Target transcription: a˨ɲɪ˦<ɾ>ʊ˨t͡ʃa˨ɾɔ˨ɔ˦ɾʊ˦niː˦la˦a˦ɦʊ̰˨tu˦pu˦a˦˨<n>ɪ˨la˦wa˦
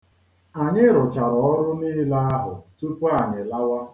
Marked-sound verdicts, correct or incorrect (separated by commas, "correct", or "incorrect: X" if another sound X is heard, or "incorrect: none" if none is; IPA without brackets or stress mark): correct, incorrect: ɲ